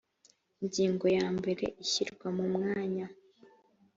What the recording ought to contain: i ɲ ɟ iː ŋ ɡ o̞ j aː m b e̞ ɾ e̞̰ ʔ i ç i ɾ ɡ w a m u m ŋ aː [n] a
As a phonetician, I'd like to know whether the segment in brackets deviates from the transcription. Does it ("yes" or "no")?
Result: yes